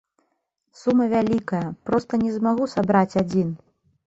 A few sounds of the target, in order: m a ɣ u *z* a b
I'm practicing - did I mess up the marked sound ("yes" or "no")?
yes